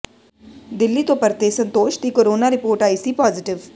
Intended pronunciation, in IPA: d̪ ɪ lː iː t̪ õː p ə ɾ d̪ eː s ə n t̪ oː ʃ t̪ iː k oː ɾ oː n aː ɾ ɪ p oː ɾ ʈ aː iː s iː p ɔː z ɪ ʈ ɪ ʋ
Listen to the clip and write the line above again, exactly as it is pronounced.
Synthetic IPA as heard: d̪ ɪ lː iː t̪ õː p ə ɾ t̪ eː s ə n t̪ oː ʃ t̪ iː k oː ɾ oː n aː ɾ ɪ p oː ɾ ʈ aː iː s iː p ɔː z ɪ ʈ ɪ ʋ